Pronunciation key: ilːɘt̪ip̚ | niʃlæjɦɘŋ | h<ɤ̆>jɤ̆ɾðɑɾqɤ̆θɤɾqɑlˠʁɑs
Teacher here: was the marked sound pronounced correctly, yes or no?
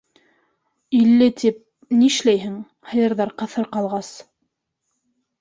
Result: yes